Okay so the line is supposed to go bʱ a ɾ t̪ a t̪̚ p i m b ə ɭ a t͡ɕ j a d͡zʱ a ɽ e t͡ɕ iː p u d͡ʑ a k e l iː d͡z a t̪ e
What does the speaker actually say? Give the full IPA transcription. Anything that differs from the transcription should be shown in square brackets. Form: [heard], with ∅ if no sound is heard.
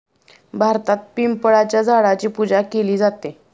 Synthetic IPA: bʱ a ɾ t̪ a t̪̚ p i m [p] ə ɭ a t͡ɕ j a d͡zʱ a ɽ [a] t͡ɕ iː p u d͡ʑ a k e l iː d͡z a t̪ e